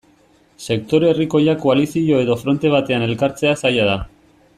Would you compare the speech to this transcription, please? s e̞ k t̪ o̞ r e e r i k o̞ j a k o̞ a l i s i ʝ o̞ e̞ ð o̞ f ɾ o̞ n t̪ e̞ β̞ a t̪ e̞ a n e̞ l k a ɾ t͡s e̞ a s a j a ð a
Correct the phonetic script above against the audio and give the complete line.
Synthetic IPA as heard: s e̞ k t̪ o̞ ɾ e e r i k o̞ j a k o̞ a l i s i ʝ o̞ e̞ ð o̞ f ɾ o̞ n t̪ e̞ β̞ a t̪ e̞ a n e̞ l k a ɾ t͡s e̞ a s a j a ð a